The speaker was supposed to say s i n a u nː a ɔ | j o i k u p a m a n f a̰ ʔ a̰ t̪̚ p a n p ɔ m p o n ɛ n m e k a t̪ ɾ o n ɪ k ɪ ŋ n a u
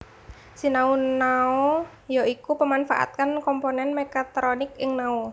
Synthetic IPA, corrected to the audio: s i n a u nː a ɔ | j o i k u p ə m a n f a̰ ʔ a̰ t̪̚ k a n k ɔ m p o n ɛ n m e k a t̪ ɾ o n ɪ k ɪ ŋ n a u